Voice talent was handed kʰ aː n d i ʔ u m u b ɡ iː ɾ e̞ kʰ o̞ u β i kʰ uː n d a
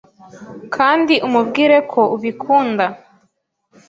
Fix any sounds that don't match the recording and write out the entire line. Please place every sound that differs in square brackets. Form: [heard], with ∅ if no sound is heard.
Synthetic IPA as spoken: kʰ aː n d i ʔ u m u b ɡ iː ɾ e̞ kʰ o̞ u β i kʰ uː n d a

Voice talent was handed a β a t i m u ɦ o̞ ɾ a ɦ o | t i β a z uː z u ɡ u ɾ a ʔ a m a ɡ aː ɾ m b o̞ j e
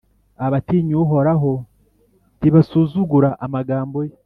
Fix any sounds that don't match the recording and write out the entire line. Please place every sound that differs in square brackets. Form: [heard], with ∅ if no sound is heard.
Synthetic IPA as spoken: a β a t i [ɲ] u ɦ o̞ ɾ a ɦ o | t i β a [s] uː z u ɡ u ɾ a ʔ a m a ɡ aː [∅] m b o̞ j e

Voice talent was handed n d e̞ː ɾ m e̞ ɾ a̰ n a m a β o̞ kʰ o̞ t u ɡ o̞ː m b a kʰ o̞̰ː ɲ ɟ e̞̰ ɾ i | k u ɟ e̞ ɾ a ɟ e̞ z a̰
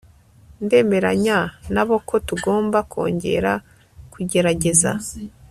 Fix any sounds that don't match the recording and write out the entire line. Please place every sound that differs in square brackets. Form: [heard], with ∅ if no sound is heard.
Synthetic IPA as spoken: n d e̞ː [∅] m e̞ ɾ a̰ [ɲ] a [n] a β o̞ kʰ o̞ t u ɡ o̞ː m b a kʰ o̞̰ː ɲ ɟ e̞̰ ɾ [a] | k u ɟ e̞ ɾ a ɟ e̞ z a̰

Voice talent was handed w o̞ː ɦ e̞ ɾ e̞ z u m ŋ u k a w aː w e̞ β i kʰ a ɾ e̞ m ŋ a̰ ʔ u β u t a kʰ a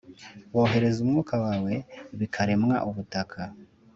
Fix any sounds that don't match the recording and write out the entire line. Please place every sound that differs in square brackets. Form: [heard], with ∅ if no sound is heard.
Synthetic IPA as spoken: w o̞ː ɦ e̞ ɾ e̞ z u m ŋ [uː] k a w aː w e̞ β i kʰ a ɾ e̞ m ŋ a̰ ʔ u β u t a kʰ a

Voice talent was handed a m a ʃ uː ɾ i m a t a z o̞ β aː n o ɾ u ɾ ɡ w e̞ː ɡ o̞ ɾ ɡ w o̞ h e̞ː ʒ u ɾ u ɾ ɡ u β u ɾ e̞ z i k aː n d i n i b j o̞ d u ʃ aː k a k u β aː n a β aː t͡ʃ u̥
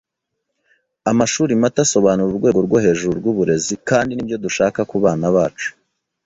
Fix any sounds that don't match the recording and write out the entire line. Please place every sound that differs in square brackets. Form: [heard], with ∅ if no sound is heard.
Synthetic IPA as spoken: a m a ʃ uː ɾ i m a t a [s] o̞ β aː n [u] ɾ u ɾ ɡ w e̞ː ɡ o̞ ɾ ɡ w o̞ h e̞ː ʒ u ɾ u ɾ ɡ u β u ɾ e̞ z i k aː n d i n i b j o̞ d u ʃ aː k a k u β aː n a β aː t͡ʃ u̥

